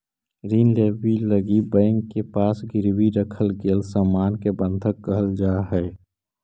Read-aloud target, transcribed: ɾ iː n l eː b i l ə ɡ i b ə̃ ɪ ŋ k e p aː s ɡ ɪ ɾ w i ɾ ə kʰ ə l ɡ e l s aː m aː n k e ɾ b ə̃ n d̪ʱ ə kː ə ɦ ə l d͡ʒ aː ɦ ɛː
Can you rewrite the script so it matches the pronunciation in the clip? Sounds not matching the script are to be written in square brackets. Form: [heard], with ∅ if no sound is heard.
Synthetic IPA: ɾ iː n l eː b i l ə ɡ i b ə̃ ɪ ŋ k e p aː s ɡ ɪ ɾ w i ɾ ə kʰ ə l ɡ e l s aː m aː n k e [∅] b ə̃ n d̪ʱ ə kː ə ɦ ə l d͡ʒ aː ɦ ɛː